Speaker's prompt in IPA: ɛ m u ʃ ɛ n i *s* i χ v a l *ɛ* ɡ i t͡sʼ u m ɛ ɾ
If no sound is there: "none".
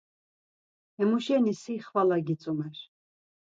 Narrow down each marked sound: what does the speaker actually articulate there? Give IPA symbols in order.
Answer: s, a

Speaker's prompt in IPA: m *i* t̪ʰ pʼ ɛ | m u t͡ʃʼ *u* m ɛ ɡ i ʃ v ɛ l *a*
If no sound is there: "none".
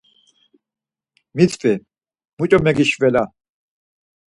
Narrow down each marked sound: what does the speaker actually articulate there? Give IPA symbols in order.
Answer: i, ɔ, a

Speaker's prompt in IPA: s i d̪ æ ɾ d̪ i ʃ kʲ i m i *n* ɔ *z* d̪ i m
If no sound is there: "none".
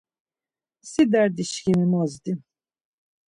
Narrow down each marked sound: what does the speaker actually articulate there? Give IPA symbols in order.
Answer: m, z

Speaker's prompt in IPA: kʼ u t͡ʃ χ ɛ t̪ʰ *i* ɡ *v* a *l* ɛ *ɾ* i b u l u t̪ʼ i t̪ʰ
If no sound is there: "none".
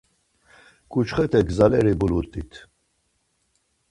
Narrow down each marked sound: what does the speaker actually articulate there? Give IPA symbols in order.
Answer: ɛ, z, l, ɾ

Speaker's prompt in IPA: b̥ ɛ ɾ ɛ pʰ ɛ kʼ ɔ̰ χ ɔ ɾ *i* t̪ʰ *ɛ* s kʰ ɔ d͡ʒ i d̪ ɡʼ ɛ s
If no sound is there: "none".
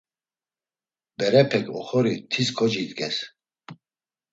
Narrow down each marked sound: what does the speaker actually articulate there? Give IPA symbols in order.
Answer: i, i

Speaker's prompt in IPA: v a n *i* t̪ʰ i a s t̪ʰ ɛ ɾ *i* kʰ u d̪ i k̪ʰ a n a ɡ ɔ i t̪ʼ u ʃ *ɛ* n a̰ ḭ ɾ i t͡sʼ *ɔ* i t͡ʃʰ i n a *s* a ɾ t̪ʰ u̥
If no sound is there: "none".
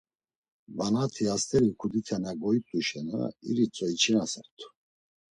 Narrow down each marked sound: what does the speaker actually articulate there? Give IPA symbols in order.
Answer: a, i, ɛ, ɔ, s

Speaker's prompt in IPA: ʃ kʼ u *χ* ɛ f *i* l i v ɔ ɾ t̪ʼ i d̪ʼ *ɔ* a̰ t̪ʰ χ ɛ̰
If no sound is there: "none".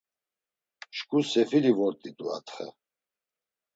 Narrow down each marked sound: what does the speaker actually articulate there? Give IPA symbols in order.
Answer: s, i, u

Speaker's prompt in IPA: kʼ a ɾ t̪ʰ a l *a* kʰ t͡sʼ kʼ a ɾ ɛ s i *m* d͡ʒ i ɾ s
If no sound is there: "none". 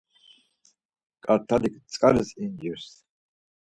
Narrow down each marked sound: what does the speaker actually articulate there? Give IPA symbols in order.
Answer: i, n

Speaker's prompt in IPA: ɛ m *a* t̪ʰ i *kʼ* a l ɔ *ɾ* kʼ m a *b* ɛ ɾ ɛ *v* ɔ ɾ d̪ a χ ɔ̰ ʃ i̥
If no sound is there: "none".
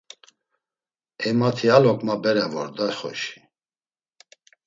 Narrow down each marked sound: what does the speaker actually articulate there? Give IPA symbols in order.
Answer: a, none, none, b, v

